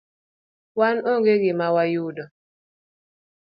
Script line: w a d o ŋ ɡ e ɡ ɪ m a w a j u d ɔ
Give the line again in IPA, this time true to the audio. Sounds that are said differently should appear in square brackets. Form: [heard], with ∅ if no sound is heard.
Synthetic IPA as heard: w a [n] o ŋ ɡ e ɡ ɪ m a w a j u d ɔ